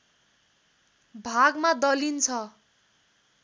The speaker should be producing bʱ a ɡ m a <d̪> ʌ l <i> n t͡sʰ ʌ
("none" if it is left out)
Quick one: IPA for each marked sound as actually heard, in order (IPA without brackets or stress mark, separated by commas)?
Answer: d̪, i